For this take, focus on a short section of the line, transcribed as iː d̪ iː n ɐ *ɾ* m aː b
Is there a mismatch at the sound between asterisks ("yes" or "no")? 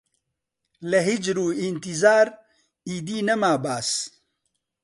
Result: yes